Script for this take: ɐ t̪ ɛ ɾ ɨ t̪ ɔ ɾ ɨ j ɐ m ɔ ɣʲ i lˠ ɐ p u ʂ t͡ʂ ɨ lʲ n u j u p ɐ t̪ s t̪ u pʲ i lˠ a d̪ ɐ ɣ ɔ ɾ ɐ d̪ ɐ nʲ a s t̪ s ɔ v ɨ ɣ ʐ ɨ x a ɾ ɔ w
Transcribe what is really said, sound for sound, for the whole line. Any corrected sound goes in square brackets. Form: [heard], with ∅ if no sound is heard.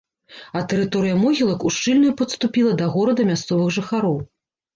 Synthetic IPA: ɐ t̪ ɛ ɾ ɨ t̪ ɔ ɾ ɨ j ɐ m ɔ ɣʲ i lˠ ɐ [k] u ʂ t͡ʂ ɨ lʲ n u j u p ɐ t̪ s t̪ u pʲ i lˠ [ɐ] d̪ ɐ ɣ ɔ ɾ ɐ d̪ ɐ [mʲ] a s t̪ s ɔ v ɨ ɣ ʐ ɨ x a ɾ ɔ w